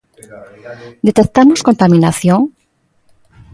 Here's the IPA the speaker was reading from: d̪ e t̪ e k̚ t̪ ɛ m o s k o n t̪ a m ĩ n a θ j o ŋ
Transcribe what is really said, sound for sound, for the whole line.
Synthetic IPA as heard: d̪ e t̪ e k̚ t̪ a m o s k o n t̪ a m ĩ n a θ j o ŋ